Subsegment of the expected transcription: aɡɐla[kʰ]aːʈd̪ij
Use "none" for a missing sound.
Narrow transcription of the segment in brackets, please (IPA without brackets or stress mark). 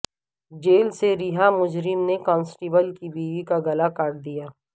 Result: k